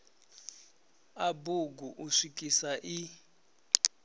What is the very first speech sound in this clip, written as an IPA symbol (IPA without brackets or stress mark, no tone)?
a